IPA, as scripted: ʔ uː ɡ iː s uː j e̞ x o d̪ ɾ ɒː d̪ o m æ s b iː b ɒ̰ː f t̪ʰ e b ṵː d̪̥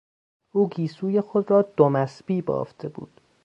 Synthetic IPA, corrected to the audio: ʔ uː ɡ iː s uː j e̞ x o d̪ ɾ ɒː d̪ o m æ s b iː b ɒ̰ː f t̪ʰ e b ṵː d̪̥